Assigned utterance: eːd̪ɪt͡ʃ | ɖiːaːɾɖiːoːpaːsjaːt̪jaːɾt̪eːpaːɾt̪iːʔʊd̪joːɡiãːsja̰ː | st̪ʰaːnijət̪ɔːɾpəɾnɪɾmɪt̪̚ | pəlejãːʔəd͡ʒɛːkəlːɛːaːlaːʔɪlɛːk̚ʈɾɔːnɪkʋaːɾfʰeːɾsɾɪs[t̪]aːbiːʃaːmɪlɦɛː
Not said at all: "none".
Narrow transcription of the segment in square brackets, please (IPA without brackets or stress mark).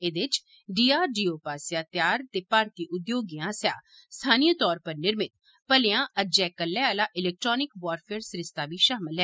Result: t̪